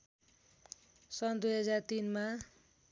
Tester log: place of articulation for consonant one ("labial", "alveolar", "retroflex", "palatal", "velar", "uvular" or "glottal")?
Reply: alveolar